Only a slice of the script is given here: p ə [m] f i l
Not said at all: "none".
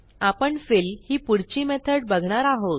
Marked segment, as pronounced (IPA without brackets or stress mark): ɳ